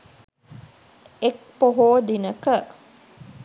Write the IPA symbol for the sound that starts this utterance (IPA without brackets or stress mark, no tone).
e